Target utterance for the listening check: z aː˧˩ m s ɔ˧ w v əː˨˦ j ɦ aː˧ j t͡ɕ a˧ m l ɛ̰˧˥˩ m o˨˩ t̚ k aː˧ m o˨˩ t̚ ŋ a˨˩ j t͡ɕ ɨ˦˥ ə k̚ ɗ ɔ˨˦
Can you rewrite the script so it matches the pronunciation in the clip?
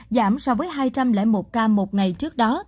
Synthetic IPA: z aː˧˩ m s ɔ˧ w v əː˨˦ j ɦ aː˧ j t͡ɕ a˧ m l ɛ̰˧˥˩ m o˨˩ t̚ k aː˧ m o˨˩ t̚ ŋ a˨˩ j t͡ɕ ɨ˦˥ ə k̚ ɗ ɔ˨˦